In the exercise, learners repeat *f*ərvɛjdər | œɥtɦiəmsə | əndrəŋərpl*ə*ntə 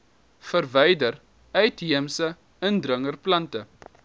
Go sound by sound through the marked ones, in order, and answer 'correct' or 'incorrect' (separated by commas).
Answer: correct, incorrect